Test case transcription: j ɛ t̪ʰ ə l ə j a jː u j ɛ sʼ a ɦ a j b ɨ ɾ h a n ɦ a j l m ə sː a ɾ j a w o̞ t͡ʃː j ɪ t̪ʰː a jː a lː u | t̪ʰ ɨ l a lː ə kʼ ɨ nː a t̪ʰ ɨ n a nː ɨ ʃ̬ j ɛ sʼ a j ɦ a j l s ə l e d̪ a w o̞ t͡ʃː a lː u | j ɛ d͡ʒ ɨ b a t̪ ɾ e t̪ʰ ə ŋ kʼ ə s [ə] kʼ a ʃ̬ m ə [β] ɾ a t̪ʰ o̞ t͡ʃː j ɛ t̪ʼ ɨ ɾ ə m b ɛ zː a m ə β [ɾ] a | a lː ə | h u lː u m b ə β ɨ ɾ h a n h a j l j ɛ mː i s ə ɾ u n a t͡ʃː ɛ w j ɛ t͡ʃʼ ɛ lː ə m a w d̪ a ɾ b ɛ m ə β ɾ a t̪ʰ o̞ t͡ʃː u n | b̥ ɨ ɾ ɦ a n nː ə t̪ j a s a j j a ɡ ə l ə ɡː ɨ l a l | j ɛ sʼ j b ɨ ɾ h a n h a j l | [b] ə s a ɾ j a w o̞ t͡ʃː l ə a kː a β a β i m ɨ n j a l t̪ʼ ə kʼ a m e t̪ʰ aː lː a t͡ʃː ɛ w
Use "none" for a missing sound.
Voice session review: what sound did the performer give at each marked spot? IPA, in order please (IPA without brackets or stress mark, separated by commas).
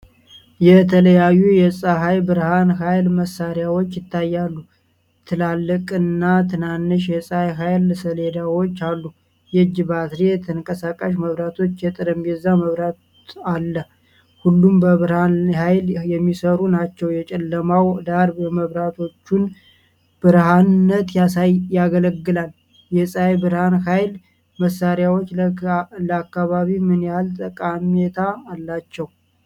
a, β, ɾ, m